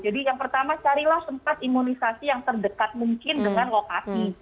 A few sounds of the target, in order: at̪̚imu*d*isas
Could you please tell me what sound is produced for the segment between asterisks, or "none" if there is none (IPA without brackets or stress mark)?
n